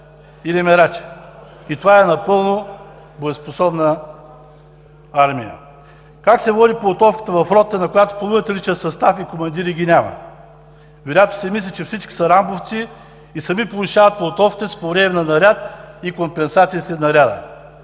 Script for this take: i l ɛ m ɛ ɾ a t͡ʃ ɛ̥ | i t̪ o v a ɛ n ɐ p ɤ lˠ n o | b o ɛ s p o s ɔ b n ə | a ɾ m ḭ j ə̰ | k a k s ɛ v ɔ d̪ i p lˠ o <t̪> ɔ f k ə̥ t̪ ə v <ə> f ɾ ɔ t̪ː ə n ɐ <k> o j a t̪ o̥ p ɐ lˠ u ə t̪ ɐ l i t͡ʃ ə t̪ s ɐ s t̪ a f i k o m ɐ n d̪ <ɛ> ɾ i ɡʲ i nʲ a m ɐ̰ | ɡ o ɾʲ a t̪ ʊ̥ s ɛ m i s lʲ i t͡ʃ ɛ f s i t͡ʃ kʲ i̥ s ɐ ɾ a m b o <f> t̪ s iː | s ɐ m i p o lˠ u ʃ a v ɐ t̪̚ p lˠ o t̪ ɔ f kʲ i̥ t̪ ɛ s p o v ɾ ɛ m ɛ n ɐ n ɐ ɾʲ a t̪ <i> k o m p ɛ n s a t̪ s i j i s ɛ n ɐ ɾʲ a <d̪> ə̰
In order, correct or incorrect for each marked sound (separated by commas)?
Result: correct, incorrect, correct, incorrect, correct, correct, correct